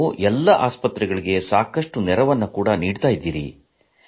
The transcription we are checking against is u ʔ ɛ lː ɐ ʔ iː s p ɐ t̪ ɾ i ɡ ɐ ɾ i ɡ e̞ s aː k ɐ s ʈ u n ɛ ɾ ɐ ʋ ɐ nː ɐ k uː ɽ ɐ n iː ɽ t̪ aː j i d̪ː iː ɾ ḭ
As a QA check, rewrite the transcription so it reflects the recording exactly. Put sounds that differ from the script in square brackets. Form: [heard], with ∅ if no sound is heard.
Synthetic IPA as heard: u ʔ ɛ lː ɐ ʔ [aː] s p ɐ t̪ ɾ [ɛ] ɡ ɐ [ɭ] i ɡ e̞ s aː k ɐ [ʂ] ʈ u n ɛ ɾ ɐ ʋ ɐ nː ɐ k uː ɽ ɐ n iː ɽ t̪ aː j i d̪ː iː ɾ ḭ